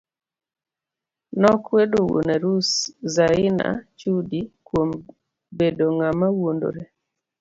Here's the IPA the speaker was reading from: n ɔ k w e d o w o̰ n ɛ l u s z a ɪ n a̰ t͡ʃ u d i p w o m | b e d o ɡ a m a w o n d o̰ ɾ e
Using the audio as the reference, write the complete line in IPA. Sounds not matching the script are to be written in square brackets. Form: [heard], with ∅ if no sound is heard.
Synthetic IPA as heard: n ɔ k w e d o w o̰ n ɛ [ɾ] u s z a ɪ n a̰ t͡ʃ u d i [k] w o m | b e d o [ŋ] a m a w o n d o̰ ɾ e